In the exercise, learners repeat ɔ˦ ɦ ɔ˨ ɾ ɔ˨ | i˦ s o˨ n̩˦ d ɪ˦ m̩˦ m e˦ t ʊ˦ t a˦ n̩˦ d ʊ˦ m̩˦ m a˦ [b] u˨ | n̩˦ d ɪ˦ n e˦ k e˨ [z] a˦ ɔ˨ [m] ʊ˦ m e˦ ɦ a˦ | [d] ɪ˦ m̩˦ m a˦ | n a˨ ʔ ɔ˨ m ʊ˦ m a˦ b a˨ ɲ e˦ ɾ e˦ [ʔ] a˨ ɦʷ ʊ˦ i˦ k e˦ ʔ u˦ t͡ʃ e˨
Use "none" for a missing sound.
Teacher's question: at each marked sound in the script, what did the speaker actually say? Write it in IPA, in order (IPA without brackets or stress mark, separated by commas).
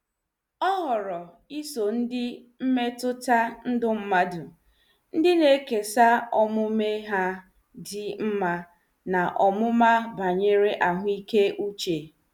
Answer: d, s, m, d, ʔ